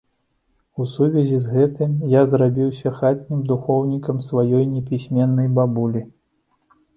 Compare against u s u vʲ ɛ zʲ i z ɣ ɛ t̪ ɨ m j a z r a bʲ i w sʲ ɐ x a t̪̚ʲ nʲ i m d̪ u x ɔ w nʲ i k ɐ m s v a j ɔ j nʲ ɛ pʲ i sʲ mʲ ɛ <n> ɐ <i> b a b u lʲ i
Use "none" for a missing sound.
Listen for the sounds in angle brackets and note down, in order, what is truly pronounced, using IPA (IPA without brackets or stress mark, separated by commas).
nː, j